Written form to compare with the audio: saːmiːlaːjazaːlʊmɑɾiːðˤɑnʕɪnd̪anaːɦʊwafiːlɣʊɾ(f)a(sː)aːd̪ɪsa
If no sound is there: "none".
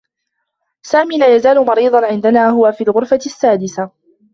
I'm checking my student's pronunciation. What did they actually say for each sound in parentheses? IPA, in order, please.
f, sː

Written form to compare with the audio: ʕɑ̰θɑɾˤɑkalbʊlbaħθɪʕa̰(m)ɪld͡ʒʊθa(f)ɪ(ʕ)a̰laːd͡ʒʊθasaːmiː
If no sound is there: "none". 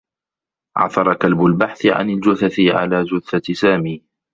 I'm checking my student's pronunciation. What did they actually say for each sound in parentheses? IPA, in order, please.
n, θ, ʕ

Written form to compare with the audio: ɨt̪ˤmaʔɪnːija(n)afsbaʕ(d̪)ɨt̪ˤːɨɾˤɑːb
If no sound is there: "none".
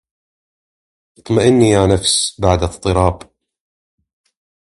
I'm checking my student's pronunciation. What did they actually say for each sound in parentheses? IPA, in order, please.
n, d̪

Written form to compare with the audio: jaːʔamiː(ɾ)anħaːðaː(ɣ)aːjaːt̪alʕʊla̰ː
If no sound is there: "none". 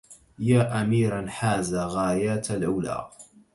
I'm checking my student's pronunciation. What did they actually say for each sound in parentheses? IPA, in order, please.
ɾ, ɣ

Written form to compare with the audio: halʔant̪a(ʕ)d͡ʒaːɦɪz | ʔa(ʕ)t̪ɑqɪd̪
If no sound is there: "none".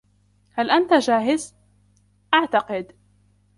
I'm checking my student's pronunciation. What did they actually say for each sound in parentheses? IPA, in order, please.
none, ʕ

